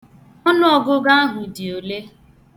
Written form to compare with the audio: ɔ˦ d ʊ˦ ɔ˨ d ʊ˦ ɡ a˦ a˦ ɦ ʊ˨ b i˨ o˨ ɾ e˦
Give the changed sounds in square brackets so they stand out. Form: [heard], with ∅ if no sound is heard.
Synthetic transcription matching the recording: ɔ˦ [n] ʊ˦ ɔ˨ [ɡ] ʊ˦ ɡ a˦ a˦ ɦ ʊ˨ [d] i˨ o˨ [l] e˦